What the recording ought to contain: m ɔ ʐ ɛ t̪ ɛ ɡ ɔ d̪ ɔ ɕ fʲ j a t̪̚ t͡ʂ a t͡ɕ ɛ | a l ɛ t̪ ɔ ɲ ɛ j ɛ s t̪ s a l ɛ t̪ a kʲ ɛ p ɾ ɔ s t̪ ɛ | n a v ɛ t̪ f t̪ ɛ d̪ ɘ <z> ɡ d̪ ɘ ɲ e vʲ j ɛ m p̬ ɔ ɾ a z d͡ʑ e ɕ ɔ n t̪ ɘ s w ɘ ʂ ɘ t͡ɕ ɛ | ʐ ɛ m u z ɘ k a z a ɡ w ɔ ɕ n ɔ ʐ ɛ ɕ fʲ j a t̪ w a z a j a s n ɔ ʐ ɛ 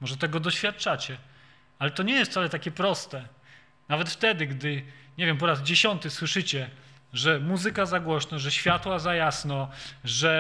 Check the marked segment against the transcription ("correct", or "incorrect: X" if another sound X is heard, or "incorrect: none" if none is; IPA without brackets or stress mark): incorrect: none